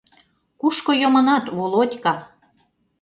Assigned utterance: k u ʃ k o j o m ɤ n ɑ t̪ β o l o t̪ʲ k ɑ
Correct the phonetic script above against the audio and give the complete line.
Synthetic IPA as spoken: k u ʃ k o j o m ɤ n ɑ t̪ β o l o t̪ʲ k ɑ